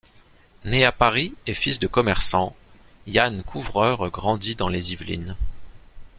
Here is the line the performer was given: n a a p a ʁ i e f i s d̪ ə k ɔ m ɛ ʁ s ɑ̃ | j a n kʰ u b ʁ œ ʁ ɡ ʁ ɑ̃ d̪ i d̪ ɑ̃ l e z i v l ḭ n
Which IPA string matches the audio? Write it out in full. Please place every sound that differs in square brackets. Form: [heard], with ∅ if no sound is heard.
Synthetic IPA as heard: n [e] a p a ʁ i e f i s d̪ ə k ɔ m ɛ ʁ s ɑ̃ | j a n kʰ u [v] ʁ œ ʁ ɡ ʁ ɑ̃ d̪ i d̪ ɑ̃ l e z i v l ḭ n